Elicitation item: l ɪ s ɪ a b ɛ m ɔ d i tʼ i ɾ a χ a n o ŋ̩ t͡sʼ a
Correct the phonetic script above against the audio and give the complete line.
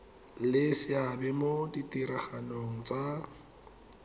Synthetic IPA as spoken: l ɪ s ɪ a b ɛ m o d i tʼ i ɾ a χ a n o ŋ̩ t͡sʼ a